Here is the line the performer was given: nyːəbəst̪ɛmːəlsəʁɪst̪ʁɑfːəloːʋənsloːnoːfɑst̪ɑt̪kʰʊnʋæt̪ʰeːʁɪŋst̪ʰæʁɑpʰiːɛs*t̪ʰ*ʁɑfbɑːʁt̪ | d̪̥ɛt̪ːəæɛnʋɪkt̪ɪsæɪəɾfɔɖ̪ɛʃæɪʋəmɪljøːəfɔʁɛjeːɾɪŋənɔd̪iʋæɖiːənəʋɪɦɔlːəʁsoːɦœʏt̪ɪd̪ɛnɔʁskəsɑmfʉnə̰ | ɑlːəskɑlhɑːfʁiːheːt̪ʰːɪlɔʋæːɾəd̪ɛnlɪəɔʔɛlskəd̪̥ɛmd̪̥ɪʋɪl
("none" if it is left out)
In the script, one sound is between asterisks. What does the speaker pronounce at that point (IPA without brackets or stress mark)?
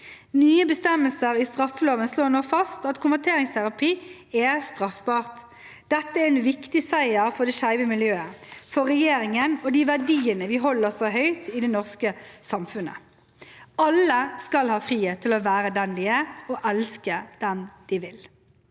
t̪